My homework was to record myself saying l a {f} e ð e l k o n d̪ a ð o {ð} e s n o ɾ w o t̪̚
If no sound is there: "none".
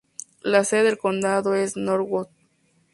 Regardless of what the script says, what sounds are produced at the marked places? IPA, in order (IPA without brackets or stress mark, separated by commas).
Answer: s, none